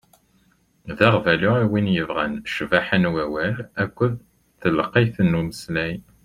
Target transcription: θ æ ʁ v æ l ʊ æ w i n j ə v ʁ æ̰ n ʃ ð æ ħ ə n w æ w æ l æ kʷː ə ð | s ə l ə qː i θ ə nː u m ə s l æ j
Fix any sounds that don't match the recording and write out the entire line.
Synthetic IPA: ð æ ʁ v æ l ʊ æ w i n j ə v ʁ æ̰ n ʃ v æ ħ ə n w æ w æ l æ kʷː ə ð | θ ə l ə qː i θ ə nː u m ə s l æ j